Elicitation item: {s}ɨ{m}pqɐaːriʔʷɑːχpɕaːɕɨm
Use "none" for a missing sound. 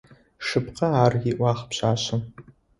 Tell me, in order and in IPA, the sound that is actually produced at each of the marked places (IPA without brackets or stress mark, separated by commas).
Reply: ʂ, none